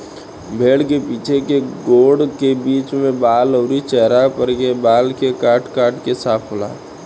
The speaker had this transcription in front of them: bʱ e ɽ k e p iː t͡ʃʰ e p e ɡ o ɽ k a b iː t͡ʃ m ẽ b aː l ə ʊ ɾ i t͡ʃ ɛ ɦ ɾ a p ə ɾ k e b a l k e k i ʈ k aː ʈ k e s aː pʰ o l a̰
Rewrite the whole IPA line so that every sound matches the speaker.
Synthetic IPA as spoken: bʱ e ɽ k e p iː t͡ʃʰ e k e ɡ o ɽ k e b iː t͡ʃ m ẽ b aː l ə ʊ ɾ i t͡ʃ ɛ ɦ ɾ a p ə ɾ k e b a l k e k a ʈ k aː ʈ k e s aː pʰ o l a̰